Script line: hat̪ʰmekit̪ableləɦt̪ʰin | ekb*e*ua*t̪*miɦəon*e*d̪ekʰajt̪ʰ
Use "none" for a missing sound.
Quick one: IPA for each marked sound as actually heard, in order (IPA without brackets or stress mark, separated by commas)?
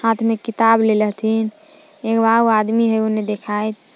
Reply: a, d̪, e